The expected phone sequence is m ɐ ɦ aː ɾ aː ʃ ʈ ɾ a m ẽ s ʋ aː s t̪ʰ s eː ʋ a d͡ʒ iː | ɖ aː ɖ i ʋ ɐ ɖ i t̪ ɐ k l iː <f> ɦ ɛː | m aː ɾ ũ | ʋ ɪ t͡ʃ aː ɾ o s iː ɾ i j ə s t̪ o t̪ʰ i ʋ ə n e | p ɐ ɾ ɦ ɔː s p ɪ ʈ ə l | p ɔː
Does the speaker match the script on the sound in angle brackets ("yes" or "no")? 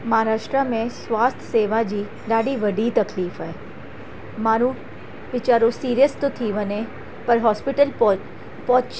yes